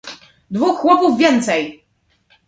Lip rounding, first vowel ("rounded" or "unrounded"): rounded